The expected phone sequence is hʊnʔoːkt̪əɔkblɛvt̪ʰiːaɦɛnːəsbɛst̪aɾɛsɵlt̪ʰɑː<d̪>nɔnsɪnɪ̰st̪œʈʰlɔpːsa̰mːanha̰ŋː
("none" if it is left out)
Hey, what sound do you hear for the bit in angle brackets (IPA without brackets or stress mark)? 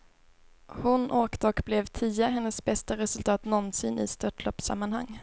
t̪